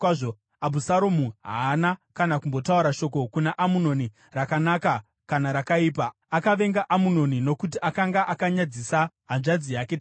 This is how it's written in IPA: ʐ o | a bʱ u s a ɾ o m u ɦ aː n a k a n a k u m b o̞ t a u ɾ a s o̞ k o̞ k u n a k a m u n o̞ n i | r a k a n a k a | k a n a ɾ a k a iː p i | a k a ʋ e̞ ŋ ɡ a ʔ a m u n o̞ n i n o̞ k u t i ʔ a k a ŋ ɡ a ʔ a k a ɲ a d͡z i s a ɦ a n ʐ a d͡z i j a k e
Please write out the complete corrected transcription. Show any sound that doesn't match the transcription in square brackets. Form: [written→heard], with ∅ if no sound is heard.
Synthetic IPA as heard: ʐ o | a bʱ u s a ɾ o m u ɦ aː n a k a n a k u m b o̞ t a u ɾ a [s→ʃ] o̞ k o̞ k u n a [k→ʔ] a m u n o̞ n i | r a k a n a k a | k a n a ɾ a k a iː p [i→a] | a k a ʋ e̞ ŋ ɡ a ʔ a m u n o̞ n i n o̞ k u t i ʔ a k a ŋ ɡ a ʔ a k a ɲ a d͡z i s a ɦ a n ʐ a d͡z i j a k e

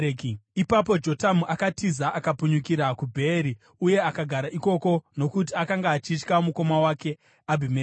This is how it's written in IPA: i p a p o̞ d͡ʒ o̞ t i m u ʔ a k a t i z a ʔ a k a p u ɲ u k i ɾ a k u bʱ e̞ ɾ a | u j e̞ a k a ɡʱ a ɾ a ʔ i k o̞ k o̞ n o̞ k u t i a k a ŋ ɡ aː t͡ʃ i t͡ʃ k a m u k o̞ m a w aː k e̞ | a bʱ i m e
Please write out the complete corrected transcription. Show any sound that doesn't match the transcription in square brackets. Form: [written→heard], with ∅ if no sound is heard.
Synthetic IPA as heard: i p a p o̞ d͡ʒ o̞ t [i→a] m u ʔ a k a t i z a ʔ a k a p u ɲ u k i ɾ a k u bʱ e̞ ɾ [a→i] | u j e̞ a k a ɡʱ a ɾ a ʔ i k o̞ k o̞ n o̞ k u t i a k a ŋ ɡ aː t͡ʃ i t͡ʃ k a m u k o̞ m a w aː k e̞ | a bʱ i m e

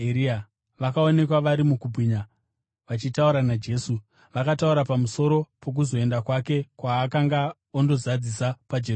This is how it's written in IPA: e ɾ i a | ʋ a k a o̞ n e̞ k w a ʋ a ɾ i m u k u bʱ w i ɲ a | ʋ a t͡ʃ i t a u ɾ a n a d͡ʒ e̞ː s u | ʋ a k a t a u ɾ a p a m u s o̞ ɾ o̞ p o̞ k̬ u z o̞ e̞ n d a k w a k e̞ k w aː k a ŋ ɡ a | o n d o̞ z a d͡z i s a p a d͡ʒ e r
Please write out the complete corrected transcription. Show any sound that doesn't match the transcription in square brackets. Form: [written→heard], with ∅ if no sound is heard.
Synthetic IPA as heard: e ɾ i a | ʋ a k a o̞ n e̞ k w a ʋ a ɾ i m u k u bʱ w i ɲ a | ʋ a t͡ʃ i t a u ɾ a n a d͡ʒ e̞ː s u | ʋ a k a t a u ɾ a p a m u s o̞ ɾ o̞ p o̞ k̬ u z o̞ e̞ n d a k w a k e̞ k w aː k a ŋ ɡ a | o n d o̞ z a d͡z i s a p a d͡ʒ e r

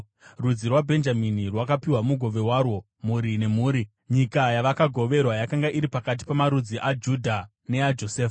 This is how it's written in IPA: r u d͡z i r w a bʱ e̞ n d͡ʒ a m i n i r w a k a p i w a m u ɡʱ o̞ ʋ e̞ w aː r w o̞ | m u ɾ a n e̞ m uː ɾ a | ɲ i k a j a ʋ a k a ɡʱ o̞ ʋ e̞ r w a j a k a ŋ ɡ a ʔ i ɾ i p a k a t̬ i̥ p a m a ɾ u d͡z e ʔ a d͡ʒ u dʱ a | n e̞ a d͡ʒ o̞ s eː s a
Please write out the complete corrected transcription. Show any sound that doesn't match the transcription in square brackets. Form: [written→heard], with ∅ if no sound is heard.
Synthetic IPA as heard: r u d͡z i r w a bʱ e̞ n d͡ʒ a m i n i r w a k a p i w a m u ɡʱ o̞ ʋ e̞ w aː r w o̞ | m u ɾ [a→i] n e̞ m uː ɾ [a→i] | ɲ i k a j a ʋ a k a ɡʱ o̞ ʋ e̞ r w a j a k a ŋ ɡ a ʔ i ɾ i p a k a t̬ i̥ p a m a ɾ u d͡z [e→i] ʔ a d͡ʒ u dʱ a | n e̞ a d͡ʒ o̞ s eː [s→f] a

